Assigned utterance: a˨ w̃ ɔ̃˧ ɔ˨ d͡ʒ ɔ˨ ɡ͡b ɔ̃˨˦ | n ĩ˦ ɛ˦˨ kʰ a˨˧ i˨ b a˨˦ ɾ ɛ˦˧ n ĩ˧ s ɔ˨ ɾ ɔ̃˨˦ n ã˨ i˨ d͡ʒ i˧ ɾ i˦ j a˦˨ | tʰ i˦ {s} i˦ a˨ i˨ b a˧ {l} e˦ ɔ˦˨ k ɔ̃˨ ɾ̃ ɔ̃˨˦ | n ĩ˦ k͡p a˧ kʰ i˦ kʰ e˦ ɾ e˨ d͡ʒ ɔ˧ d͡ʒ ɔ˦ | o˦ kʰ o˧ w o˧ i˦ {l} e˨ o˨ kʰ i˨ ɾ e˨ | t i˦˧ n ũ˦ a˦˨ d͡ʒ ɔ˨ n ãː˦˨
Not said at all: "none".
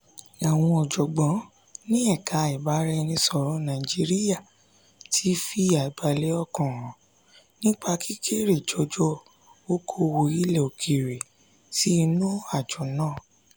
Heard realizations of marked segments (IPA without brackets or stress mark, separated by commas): f, l, l